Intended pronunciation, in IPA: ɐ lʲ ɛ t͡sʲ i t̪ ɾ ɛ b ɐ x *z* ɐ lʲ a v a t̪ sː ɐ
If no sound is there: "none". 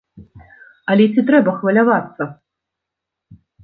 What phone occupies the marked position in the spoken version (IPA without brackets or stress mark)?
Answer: v